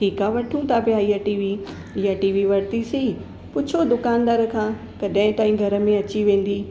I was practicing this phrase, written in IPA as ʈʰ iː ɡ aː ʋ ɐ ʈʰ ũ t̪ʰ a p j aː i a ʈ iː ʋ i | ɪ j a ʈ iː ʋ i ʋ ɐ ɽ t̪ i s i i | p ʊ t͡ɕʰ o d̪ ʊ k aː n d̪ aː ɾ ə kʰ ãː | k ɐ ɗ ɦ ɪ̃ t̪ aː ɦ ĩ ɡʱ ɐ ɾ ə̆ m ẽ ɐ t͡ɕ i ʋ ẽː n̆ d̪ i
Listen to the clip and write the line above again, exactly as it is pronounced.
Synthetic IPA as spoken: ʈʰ iː k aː ʋ ɐ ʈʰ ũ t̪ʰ a p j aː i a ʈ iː ʋ i | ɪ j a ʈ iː ʋ i ʋ ɐ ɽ t̪ i s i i | p ʊ t͡ɕʰ o d̪ ʊ k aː n d̪ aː ɾ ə kʰ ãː | k ɐ ɗ ɦ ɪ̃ t̪ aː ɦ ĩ ɡʱ ɐ ɾ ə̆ m ẽ ɐ t͡ɕ i ʋ ẽː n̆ d̪ i